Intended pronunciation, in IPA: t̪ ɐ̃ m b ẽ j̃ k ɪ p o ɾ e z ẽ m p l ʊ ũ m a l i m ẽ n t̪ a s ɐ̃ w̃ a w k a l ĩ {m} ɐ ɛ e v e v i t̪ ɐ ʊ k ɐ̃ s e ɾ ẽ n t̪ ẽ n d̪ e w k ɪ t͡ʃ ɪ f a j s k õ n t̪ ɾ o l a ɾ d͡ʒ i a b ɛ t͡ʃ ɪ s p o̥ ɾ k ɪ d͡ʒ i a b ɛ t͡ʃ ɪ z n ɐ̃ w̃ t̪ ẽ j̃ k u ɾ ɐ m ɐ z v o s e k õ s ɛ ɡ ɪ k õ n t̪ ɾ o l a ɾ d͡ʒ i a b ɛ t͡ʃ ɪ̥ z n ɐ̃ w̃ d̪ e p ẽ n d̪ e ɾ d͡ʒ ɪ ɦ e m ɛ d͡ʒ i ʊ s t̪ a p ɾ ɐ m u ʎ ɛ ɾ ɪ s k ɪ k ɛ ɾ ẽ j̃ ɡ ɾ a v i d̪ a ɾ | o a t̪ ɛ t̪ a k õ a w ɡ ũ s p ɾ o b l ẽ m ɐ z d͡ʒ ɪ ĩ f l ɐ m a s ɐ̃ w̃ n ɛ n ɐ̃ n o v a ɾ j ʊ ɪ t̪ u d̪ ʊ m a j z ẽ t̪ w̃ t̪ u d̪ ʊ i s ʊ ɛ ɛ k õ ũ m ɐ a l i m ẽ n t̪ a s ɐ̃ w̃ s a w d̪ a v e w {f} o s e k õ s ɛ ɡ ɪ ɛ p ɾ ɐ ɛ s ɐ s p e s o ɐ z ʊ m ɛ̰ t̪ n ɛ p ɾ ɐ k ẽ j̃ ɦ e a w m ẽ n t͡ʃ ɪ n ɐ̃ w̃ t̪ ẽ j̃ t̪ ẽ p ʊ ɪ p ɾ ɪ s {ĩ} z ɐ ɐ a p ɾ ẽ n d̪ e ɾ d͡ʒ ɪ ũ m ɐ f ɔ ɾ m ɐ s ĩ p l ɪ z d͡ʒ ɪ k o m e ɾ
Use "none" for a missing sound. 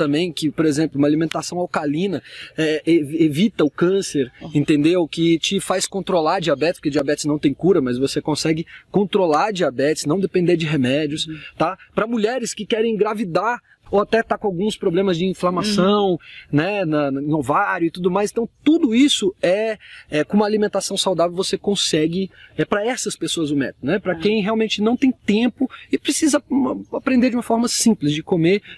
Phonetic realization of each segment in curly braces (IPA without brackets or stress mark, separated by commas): n, v, i